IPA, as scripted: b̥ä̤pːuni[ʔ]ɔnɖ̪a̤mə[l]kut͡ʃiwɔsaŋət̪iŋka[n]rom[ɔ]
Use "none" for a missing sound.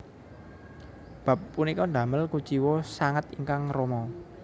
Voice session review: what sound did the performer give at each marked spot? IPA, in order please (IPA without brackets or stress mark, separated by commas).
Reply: k, l, ŋ, ɔ